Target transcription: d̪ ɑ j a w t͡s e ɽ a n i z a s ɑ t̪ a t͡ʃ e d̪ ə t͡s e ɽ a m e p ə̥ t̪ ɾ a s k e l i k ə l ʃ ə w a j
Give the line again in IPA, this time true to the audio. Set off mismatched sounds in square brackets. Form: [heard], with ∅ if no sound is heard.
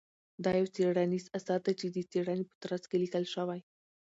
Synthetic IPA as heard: d̪ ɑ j a w t͡s e ɽ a n i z a s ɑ [d̪] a t͡ʃ e d̪ ə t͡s e ɽ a [n] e p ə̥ t̪ ɾ a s k e l i k ə l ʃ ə w a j